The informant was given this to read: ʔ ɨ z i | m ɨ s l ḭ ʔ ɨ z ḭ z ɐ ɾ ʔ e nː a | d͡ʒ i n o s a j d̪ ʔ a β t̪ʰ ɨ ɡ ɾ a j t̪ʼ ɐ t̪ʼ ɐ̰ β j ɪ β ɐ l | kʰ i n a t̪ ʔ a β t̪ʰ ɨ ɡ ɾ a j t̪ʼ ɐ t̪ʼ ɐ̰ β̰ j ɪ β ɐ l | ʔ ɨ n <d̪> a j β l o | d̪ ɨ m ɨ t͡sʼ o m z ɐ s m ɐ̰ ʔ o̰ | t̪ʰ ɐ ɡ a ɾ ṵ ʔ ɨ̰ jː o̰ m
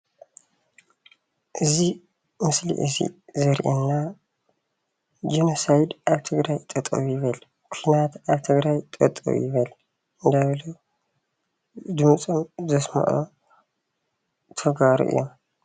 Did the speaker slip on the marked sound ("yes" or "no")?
no